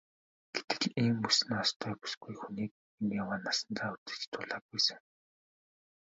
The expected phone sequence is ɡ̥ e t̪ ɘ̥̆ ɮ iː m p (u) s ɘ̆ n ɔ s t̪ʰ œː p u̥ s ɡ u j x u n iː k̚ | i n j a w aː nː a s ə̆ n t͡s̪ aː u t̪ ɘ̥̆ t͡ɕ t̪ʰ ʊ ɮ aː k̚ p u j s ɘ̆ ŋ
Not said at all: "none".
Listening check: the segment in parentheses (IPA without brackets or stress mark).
u